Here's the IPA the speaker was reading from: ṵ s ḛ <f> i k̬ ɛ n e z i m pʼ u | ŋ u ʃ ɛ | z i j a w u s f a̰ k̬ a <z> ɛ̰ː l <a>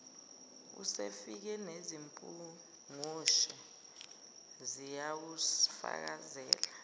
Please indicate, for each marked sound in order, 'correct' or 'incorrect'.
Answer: correct, correct, correct

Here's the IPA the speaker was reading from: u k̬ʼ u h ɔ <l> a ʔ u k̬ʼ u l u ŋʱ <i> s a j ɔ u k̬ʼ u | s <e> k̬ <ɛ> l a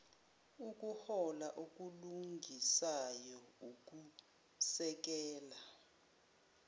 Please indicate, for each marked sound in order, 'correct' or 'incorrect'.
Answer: correct, correct, incorrect: ɛ, incorrect: ɛː

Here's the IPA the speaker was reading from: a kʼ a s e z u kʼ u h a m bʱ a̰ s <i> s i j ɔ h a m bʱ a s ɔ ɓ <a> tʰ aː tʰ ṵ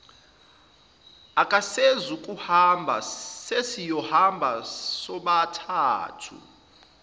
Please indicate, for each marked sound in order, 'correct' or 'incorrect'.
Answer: incorrect: e, correct

